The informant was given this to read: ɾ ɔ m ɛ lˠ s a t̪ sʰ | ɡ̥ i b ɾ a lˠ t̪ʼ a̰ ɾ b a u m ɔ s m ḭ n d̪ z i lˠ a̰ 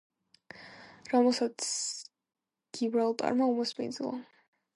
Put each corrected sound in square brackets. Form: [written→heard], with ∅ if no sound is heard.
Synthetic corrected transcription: ɾ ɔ m ɛ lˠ s a t̪ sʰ | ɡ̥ i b ɾ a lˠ t̪ʼ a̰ ɾ [b→m] a u m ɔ s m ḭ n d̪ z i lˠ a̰

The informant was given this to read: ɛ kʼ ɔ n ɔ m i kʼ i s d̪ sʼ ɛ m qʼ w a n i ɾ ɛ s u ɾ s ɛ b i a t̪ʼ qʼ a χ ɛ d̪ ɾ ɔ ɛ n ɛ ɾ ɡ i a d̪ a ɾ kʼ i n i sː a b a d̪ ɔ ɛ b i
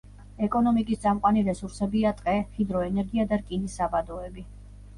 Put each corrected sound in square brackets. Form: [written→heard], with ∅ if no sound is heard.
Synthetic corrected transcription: ɛ kʼ ɔ n ɔ m i kʼ i s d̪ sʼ [ɛ→a] m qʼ w a n i ɾ ɛ s u ɾ s ɛ b i a t̪ʼ qʼ [a→ɛ] χ [ɛ→i] d̪ ɾ ɔ ɛ n ɛ ɾ ɡ i a d̪ a ɾ kʼ i n i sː a b a d̪ ɔ ɛ b i

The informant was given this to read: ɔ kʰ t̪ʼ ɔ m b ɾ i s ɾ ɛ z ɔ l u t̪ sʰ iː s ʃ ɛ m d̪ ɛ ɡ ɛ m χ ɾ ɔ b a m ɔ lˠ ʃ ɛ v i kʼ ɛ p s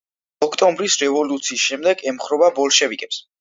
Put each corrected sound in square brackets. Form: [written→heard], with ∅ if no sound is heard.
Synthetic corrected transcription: ɔ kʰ t̪ʼ ɔ m b ɾ i s ɾ ɛ [z→v] ɔ l u t̪ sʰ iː s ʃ ɛ m d̪ ɛ ɡ ɛ m χ ɾ ɔ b a [m→b] ɔ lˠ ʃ ɛ v i kʼ ɛ p s

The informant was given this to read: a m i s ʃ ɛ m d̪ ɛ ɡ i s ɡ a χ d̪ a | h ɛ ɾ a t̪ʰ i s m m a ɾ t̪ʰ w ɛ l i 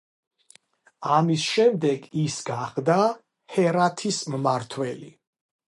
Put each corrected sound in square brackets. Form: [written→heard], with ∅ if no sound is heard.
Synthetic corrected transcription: a m i s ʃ ɛ m d̪ ɛ ɡ i s ɡ a χ d̪ a | h ɛ ɾ a t̪ʰ i s m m a ɾ t̪ʰ w ɛ l i

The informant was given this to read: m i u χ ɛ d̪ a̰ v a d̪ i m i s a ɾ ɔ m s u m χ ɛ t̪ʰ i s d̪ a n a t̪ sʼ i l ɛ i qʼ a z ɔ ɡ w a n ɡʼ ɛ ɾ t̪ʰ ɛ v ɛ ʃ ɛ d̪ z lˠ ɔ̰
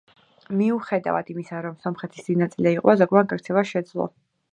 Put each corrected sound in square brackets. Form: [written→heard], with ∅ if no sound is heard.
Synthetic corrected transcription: m i u χ ɛ d̪ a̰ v a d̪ i m i s a ɾ ɔ m s [u→ɔ] m χ ɛ t̪ʰ i s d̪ [a→i] n a t̪ sʼ i l ɛ i qʼ a z ɔ ɡ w a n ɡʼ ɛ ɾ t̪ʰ ɛ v [ɛ→a] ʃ ɛ d̪ z lˠ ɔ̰

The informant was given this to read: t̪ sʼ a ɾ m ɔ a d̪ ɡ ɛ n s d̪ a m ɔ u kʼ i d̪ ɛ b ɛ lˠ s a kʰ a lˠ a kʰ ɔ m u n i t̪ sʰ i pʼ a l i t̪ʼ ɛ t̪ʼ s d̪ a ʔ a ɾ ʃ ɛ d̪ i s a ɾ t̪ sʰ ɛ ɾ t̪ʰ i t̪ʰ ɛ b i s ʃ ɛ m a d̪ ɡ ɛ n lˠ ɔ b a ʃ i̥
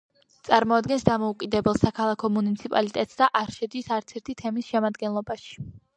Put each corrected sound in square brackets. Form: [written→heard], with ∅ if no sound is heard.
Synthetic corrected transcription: t̪ sʼ a ɾ m ɔ a d̪ ɡ ɛ n s d̪ a m ɔ u kʼ i d̪ ɛ b ɛ lˠ s a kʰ a lˠ a kʰ ɔ m u n i t̪ sʰ i pʼ a l i t̪ʼ ɛ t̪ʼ s d̪ a ʔ a ɾ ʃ ɛ d̪ i s a ɾ t̪ sʰ ɛ ɾ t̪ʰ i t̪ʰ ɛ [b→m] i s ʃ ɛ m a d̪ ɡ ɛ n lˠ ɔ b a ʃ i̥

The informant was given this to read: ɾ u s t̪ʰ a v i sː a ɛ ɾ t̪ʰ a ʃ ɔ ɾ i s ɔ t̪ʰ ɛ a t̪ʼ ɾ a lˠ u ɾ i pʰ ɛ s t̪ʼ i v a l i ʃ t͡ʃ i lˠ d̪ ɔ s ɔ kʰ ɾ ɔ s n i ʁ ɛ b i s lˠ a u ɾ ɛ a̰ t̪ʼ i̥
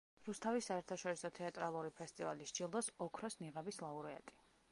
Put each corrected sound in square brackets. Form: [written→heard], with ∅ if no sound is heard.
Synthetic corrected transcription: ɾ u s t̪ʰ a v i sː a ɛ ɾ t̪ʰ a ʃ ɔ ɾ i s ɔ t̪ʰ ɛ a t̪ʼ ɾ a lˠ u ɾ i pʰ ɛ s t̪ʼ i v a l i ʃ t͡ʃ i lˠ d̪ ɔ s ɔ kʰ ɾ ɔ s n i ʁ ɛ b i s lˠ a u ɾ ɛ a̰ t̪ʼ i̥

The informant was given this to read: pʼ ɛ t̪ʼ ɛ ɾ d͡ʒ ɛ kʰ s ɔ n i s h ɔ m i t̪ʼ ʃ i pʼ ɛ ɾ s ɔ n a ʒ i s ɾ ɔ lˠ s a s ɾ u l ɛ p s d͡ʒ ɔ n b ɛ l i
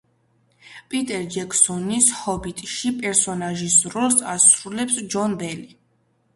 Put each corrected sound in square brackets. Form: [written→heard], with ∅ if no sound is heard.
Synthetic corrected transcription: pʼ [ɛ→i] t̪ʼ ɛ ɾ d͡ʒ ɛ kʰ s ɔ n i s h ɔ [m→b] i t̪ʼ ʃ i pʼ ɛ ɾ s ɔ n a ʒ i s ɾ ɔ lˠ s a s ɾ u l ɛ p s d͡ʒ ɔ n b ɛ l i

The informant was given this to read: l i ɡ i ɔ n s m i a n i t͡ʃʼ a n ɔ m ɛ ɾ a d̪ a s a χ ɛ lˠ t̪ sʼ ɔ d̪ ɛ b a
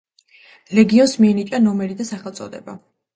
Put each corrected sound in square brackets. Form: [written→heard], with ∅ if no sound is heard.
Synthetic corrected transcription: l [i→ɛ] ɡ i ɔ n s m i [a→ɛ] n i t͡ʃʼ a n ɔ m ɛ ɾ [a→i] d̪ a s a χ ɛ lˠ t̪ sʼ ɔ d̪ ɛ b a

